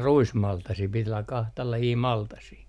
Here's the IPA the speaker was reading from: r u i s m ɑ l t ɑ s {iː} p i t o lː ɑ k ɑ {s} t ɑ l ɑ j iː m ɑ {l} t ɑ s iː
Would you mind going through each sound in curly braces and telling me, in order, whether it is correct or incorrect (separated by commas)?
correct, incorrect, correct